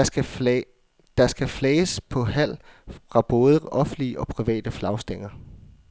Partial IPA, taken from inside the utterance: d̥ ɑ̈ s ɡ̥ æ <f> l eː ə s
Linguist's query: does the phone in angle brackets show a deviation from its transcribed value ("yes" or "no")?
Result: no